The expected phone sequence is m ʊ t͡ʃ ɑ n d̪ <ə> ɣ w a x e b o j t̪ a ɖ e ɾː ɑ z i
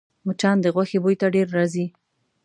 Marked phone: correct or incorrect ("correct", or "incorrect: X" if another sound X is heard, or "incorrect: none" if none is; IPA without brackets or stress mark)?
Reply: correct